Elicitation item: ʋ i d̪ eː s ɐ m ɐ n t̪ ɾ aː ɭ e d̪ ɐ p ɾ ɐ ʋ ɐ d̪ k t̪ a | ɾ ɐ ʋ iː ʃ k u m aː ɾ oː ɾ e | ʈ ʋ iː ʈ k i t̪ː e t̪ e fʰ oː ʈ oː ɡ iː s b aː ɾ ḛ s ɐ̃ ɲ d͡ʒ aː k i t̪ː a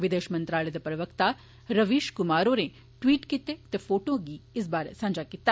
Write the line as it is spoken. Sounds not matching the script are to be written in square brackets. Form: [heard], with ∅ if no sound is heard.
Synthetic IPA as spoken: ʋ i d̪ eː [ʃ] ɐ m ɐ n t̪ ɾ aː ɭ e d̪ ɐ p ɾ ɐ ʋ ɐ [∅] k t̪ a | ɾ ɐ ʋ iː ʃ k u m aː ɾ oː ɾ e | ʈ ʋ iː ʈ k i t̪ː e t̪ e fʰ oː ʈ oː ɡ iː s b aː ɾ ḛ s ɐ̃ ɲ d͡ʒ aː k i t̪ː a